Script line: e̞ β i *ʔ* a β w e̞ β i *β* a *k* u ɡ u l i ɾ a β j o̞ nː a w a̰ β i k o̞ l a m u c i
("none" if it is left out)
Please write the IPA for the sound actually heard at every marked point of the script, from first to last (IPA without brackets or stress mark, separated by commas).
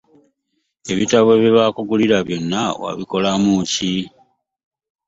t, β, k